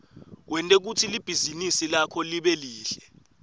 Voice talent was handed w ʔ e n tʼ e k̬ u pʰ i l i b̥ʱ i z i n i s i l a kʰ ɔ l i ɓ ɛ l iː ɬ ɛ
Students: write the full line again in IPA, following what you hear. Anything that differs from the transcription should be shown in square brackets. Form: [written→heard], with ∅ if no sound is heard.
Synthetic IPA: w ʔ [e→ɛ] n tʼ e k̬ u [pʰ→tʰ] i l i b̥ʱ i z i n i s i l a kʰ ɔ l i ɓ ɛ l iː ɬ ɛ